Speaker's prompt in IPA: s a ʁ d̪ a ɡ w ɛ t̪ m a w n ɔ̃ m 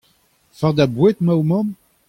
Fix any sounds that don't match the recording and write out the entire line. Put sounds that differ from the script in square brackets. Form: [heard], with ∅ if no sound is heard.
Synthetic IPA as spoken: [f] a ʁ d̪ a [b] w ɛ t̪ m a w [m] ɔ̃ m